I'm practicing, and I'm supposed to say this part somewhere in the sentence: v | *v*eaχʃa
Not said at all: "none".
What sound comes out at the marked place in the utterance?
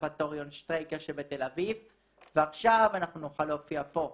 v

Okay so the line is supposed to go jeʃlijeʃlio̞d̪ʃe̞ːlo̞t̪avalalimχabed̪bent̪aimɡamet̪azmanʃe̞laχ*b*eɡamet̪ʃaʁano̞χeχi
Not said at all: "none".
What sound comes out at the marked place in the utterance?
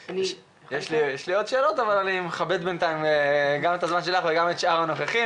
v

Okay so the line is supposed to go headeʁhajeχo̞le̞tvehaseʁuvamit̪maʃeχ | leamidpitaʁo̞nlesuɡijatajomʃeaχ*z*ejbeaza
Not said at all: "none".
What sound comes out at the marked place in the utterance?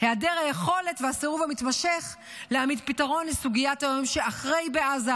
ʁ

